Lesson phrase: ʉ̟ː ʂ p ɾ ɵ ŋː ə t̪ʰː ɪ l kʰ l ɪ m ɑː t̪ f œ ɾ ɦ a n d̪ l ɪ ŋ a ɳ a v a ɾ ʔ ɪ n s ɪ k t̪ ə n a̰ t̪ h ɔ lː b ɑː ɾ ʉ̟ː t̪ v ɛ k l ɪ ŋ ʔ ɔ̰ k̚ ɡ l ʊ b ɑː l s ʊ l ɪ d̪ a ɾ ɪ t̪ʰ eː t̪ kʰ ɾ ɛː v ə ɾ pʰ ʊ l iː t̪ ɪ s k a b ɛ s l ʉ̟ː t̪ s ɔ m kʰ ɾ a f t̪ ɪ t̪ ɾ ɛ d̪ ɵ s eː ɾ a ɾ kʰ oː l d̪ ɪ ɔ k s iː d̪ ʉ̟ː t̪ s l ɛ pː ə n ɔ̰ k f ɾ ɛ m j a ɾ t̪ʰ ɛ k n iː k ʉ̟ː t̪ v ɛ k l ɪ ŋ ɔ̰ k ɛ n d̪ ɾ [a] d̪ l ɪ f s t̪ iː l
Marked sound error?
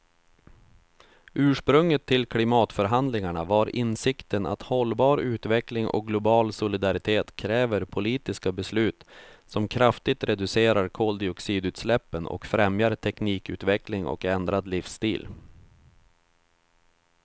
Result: no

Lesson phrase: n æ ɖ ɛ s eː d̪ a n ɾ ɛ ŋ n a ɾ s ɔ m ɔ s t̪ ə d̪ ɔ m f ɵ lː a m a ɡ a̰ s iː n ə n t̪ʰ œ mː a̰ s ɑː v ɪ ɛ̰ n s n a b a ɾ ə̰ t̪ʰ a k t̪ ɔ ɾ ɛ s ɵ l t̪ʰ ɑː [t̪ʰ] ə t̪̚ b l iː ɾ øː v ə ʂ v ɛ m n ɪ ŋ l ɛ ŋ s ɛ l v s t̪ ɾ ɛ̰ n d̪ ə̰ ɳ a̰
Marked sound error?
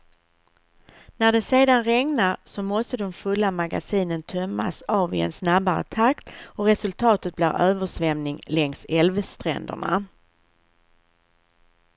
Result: yes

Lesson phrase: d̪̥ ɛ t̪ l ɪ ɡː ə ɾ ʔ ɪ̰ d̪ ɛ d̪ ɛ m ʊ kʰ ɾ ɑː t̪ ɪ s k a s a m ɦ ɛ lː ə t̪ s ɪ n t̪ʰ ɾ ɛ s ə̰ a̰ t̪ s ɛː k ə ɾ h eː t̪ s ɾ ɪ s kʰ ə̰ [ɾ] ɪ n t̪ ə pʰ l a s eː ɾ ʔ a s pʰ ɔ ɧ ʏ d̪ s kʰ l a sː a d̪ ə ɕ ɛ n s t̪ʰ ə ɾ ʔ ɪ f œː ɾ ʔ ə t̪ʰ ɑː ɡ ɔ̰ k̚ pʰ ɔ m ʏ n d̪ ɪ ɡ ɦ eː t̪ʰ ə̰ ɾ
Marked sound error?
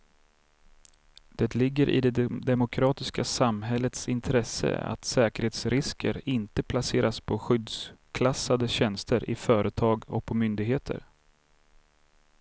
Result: no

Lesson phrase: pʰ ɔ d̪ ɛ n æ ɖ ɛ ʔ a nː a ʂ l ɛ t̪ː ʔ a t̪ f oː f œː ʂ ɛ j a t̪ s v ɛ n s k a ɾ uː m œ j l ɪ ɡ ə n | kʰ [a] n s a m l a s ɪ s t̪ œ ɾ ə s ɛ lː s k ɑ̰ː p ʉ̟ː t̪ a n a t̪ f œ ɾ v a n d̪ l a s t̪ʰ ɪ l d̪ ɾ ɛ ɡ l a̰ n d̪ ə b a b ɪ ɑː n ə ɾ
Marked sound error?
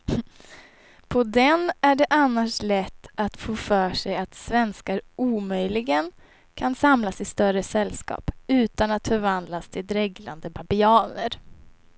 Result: no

